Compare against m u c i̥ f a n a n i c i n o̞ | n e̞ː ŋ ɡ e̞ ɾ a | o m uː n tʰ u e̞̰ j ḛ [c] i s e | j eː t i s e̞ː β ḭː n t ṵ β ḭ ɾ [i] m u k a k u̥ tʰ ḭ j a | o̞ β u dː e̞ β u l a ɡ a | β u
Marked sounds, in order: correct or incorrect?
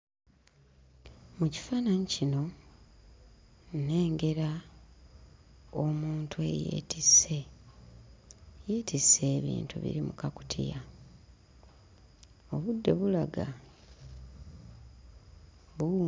incorrect: t, correct

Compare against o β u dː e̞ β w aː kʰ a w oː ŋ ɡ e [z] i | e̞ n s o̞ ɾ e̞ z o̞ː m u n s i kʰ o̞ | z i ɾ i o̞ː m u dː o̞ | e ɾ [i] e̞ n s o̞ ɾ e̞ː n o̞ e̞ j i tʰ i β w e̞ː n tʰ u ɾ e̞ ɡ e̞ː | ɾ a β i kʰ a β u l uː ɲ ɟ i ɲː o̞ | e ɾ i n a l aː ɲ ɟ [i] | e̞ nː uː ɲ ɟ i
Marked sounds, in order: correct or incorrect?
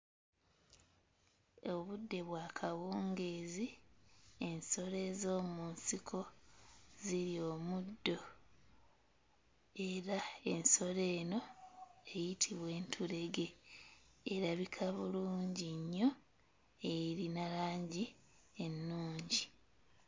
correct, incorrect: a, correct

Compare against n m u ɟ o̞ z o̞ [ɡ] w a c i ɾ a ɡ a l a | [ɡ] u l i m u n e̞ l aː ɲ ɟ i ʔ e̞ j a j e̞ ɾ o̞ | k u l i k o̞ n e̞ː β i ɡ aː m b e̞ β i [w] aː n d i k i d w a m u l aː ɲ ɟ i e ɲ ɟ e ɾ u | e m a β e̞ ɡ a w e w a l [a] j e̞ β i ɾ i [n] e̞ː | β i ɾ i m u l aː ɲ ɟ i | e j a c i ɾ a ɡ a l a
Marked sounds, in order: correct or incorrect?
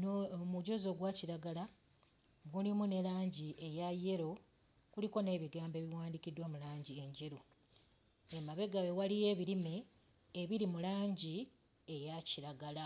correct, correct, correct, incorrect: i, incorrect: m

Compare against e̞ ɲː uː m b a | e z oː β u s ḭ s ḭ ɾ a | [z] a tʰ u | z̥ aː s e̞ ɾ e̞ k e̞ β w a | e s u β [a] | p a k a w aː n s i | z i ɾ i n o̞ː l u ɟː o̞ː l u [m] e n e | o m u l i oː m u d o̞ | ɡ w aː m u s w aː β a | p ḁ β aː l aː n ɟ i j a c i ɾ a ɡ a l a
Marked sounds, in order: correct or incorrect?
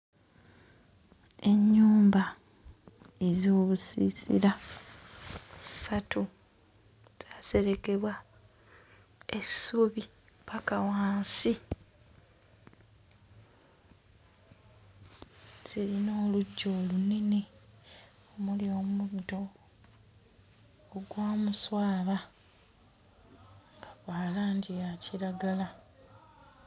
incorrect: s, incorrect: i, incorrect: n

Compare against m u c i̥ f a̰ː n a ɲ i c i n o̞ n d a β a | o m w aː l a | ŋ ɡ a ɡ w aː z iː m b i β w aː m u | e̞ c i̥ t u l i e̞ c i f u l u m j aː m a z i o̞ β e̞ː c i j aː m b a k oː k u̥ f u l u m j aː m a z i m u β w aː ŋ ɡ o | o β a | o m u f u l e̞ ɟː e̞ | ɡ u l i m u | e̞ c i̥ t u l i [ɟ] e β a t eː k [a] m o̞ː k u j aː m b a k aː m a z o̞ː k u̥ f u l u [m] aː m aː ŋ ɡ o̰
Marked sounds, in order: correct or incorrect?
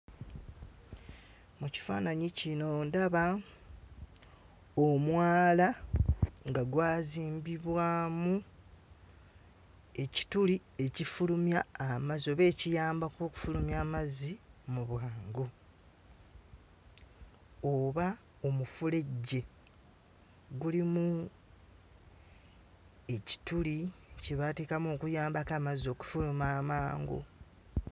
incorrect: c, correct, correct

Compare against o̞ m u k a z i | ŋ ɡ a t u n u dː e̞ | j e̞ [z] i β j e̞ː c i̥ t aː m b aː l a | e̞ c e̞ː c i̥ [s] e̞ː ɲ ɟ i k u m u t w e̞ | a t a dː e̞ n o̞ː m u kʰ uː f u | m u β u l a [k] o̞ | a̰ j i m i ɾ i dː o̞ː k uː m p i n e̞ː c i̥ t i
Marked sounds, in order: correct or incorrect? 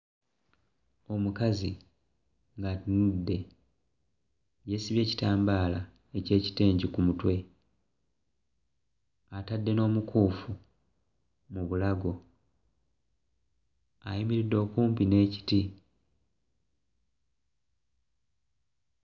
incorrect: s, incorrect: t, incorrect: ɡ

